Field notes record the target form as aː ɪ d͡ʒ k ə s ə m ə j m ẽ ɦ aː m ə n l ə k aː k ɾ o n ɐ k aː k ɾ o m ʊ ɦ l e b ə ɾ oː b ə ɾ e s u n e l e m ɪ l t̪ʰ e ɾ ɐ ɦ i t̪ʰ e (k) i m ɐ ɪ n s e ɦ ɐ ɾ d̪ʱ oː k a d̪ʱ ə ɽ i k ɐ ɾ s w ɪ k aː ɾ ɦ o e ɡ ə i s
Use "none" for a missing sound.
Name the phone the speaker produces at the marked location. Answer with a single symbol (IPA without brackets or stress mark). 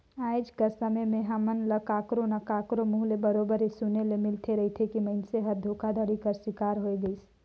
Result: k